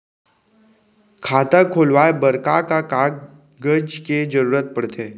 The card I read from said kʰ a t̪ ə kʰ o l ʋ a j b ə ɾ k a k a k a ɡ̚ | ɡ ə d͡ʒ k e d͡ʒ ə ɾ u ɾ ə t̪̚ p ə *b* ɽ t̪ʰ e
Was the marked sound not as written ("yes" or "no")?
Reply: yes